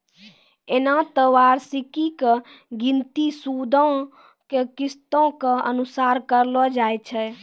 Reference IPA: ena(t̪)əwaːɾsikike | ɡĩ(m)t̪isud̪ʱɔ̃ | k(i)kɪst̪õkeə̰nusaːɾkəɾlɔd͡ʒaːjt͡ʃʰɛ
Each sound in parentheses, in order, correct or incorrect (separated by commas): correct, incorrect, incorrect